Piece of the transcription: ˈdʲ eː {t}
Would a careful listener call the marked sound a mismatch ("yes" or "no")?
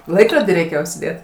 no